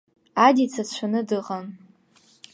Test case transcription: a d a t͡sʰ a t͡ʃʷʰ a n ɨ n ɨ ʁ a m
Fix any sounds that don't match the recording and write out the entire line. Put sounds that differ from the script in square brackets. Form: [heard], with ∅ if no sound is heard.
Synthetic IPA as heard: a d [i] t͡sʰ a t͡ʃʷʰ a n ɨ [d] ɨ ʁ a [n]